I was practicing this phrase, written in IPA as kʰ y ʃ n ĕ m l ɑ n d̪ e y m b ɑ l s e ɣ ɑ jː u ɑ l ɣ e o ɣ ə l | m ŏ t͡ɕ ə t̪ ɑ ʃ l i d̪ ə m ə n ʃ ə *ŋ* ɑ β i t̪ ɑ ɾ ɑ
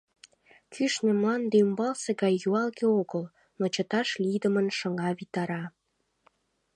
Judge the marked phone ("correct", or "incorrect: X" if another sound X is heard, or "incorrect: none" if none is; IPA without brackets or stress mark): correct